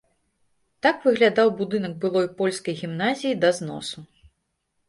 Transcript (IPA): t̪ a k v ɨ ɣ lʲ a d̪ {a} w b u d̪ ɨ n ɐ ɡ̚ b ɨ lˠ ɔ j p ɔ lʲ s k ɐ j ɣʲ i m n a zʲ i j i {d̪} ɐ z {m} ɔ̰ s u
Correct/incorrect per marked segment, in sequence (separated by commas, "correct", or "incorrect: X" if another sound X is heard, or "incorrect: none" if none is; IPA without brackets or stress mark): correct, correct, incorrect: n